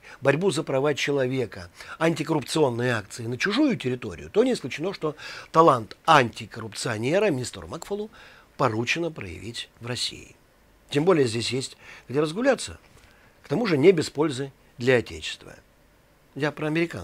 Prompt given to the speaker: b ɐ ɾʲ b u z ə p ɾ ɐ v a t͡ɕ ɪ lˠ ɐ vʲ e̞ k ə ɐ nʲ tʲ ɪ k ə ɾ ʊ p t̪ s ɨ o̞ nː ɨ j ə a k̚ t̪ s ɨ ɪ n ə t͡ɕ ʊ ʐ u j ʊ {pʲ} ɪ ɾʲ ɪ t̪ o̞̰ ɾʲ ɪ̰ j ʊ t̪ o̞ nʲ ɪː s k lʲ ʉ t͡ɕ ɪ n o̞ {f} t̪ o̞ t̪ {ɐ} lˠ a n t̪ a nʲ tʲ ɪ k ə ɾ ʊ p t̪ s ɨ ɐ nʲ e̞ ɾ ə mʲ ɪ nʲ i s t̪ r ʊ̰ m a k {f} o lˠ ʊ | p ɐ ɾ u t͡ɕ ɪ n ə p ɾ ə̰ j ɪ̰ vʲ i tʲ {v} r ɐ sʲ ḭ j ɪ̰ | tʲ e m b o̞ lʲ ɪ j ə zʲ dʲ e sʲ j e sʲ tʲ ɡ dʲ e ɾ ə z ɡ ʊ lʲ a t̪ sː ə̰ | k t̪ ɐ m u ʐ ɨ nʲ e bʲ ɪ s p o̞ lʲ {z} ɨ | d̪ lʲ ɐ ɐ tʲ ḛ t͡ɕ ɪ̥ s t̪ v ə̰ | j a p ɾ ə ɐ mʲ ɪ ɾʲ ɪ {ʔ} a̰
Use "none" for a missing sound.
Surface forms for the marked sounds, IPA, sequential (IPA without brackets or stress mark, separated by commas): tʲ, ʂ, ɐ, f, v, z, k